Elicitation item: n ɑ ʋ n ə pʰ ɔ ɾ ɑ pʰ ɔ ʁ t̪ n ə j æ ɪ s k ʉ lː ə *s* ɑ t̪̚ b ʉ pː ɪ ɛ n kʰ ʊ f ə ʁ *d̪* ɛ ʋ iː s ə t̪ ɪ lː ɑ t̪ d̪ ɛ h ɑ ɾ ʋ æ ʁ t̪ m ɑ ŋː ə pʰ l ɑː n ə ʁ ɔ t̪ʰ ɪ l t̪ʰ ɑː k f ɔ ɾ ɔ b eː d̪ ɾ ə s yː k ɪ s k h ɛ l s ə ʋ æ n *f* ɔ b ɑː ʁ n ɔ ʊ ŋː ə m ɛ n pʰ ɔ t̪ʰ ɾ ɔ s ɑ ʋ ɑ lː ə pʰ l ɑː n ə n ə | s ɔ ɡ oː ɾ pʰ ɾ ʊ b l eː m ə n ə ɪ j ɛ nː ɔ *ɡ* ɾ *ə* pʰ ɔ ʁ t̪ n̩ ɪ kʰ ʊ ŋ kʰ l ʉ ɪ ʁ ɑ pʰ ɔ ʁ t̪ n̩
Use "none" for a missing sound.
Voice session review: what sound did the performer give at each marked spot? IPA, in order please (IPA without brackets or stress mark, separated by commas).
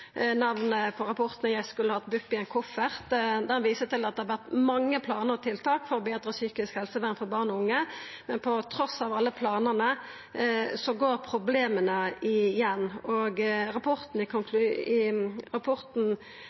h, d̪, f, ɡ, ɑ